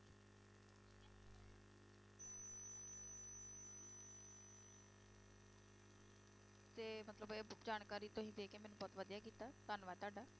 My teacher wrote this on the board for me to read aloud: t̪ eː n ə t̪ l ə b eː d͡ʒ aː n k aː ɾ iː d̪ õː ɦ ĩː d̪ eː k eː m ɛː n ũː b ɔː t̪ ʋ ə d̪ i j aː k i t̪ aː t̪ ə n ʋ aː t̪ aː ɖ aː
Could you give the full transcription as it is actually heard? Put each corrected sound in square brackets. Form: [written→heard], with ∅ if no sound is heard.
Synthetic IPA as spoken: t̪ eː [n→m] ə t̪ l ə b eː d͡ʒ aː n k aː ɾ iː [d̪→t̪] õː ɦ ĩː d̪ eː k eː m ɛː n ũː b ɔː t̪ ʋ ə d̪ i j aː k [i→iː] t̪ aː t̪ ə n ʋ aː t̪ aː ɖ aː